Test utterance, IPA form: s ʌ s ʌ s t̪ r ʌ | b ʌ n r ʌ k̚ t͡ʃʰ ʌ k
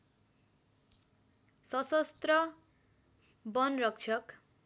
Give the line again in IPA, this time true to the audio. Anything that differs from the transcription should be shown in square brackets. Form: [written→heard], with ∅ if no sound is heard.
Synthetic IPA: s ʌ s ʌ s t̪ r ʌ | b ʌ n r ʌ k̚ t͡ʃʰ ʌ k